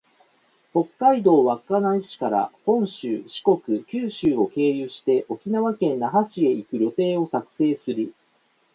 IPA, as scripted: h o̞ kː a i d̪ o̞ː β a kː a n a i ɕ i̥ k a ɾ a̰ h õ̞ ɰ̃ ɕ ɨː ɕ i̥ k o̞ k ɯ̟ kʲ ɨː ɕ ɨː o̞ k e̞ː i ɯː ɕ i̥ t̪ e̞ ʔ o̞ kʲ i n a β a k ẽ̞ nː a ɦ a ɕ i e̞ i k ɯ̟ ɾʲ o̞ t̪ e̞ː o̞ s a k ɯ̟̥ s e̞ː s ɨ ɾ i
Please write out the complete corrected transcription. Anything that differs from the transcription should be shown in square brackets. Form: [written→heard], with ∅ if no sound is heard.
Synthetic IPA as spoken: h o̞ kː a i d̪ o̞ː β a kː a n a i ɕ i̥ k a ɾ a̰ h õ̞ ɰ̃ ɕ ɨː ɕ i̥ k o̞ k ɯ̟ kʲ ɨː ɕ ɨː o̞ k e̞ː [i→j] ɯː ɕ i̥ t̪ e̞ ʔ o̞ kʲ i n a β a k ẽ̞ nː a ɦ a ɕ i e̞ i k ɯ̟ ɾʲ o̞ t̪ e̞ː o̞ s a k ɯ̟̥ s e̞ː s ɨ ɾ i